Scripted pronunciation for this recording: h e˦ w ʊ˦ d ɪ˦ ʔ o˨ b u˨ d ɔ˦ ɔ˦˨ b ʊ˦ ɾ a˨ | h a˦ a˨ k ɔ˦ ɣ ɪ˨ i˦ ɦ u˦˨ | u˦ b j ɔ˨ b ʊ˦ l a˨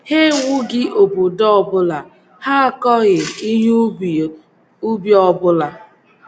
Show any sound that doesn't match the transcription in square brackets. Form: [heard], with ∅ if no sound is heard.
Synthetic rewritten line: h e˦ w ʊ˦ [ɡ] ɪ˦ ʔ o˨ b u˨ d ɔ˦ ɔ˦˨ b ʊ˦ [l] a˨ | h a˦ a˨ k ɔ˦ ɣ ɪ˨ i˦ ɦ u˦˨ | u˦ b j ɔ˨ b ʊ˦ l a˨